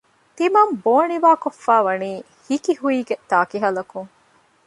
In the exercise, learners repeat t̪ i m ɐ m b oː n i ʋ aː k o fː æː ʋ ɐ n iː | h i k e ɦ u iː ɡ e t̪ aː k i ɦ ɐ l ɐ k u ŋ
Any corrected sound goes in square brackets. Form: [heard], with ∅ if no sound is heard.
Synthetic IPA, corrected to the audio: t̪ i m ɐ m b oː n i ʋ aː k o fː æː ʋ ɐ n iː | h i k [i] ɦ u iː ɡ e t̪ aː k i ɦ ɐ l ɐ k u ŋ